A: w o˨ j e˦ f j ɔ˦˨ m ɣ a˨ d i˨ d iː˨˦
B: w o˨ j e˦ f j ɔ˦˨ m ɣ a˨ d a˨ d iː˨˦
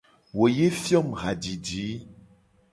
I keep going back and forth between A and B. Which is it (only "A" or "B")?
A